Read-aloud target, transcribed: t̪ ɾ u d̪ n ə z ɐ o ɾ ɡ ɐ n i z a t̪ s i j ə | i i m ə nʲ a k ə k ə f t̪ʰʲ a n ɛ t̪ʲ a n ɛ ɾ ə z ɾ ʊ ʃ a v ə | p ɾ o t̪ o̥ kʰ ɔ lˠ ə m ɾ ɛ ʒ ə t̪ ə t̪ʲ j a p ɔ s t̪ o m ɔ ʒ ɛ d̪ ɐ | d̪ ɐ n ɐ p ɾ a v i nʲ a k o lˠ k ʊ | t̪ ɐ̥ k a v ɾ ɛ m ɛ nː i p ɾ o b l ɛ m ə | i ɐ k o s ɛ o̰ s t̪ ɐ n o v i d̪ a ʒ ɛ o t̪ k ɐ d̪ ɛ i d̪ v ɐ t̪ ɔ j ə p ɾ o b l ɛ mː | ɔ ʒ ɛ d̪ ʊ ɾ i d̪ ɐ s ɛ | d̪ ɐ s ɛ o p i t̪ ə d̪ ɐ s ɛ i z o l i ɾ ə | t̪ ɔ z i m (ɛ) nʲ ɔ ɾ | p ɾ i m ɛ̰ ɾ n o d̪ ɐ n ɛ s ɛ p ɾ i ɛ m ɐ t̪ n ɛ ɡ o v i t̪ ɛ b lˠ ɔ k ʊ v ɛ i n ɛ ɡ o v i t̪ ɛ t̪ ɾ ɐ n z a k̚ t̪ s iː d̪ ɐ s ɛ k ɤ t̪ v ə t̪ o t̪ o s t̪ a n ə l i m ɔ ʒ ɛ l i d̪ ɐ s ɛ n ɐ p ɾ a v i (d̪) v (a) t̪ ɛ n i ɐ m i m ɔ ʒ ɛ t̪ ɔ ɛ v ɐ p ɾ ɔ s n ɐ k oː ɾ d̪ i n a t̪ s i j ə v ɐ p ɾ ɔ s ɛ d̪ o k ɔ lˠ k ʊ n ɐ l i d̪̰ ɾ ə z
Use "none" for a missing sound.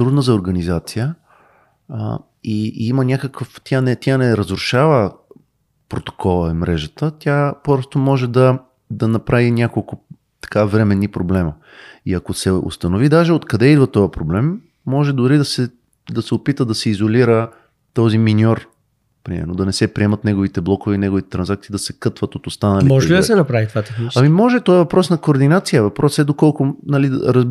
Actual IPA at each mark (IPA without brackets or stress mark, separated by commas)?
i, t̪, a